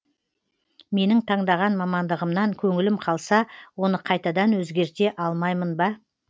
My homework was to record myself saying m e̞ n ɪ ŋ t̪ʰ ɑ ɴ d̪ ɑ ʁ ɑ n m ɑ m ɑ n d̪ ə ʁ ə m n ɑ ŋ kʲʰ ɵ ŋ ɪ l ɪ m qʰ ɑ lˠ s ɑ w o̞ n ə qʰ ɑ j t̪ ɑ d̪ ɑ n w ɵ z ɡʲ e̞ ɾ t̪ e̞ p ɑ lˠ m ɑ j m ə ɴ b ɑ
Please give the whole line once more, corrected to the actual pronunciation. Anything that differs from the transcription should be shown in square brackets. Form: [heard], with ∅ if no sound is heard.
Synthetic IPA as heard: m e̞ n ɪ ŋ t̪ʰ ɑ ɴ d̪ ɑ ʁ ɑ n m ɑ m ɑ n d̪ ə ʁ ə m n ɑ ŋ kʲʰ ɵ ŋ ɪ l ɪ m qʰ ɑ lˠ s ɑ w o̞ n ə qʰ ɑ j t̪ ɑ d̪ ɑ n w ɵ z ɡʲ e̞ ɾ t̪ e̞ [ʔ] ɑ lˠ m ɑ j m ə [n] b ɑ